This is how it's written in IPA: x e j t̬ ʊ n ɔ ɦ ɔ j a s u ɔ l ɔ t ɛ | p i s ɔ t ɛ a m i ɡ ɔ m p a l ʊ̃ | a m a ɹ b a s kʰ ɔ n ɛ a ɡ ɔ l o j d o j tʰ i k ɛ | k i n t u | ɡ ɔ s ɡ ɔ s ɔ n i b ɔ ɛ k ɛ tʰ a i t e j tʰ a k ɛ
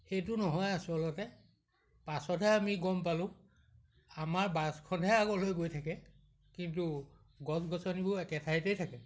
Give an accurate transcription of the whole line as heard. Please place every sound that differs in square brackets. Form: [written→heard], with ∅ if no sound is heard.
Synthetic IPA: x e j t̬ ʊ n ɔ ɦ ɔ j a s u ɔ l ɔ t ɛ | p [i→a] s ɔ t ɛ a m i ɡ ɔ m p a l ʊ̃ | a m a ɹ b a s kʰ ɔ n ɛ a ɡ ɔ l o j [d→ɡ] o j tʰ [i→a] k ɛ | k i n t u | ɡ ɔ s ɡ ɔ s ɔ n i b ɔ ɛ k ɛ tʰ a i t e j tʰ a k ɛ